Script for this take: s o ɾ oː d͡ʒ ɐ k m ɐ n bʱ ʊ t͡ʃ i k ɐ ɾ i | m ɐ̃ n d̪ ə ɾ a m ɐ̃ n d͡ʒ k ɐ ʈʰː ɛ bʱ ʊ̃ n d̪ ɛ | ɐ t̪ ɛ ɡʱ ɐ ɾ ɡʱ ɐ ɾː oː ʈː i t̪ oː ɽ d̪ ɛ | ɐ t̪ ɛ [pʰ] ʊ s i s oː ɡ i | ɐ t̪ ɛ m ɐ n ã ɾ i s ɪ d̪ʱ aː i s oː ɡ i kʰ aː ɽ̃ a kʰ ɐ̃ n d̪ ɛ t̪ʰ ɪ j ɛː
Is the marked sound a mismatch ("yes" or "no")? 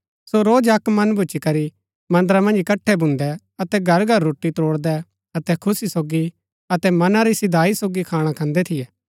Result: yes